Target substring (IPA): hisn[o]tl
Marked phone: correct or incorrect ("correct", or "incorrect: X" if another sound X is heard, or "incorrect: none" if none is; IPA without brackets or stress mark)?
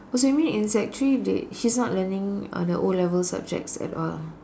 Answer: incorrect: ɔ